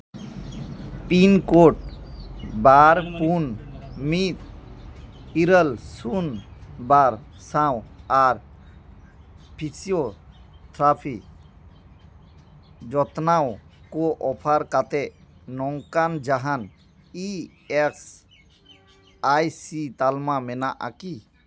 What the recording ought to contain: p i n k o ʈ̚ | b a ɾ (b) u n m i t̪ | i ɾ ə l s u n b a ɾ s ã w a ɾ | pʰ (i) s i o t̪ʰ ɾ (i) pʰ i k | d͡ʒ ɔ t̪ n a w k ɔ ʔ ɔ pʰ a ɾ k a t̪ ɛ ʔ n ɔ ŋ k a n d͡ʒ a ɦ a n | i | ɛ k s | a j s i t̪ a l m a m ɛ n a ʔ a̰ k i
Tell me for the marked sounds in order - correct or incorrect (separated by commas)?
incorrect, correct, incorrect